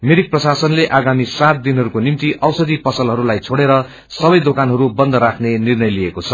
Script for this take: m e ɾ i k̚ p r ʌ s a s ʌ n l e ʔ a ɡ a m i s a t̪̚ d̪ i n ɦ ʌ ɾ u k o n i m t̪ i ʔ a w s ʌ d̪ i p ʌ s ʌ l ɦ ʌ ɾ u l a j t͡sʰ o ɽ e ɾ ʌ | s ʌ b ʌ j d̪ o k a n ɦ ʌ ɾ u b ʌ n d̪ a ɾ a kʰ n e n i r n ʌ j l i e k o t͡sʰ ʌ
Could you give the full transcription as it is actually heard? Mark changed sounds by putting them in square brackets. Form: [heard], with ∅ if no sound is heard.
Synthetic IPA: m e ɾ i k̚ p r ʌ s a s ʌ n l e ʔ a ɡ a m i s a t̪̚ d̪ i n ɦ ʌ ɾ u k o n i m t̪ i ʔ [ʌ] w s ʌ d̪ i p ʌ s ʌ l ɦ ʌ ɾ u l a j t͡sʰ o ɽ e ɾ ʌ | s ʌ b ʌ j d̪ o k a n ɦ ʌ ɾ u b ʌ n d̪ [ʌ] ɾ a kʰ n e n i r n ʌ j l i e k o t͡sʰ ʌ